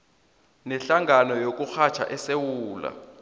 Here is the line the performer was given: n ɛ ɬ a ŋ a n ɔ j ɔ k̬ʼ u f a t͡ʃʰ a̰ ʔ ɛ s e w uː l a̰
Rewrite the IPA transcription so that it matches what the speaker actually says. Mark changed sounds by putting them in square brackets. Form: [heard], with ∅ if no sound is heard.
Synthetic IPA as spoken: n ɛ ɬ a ŋ a n ɔ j [o] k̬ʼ u [x] a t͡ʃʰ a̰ ʔ ɛ s e w uː l a̰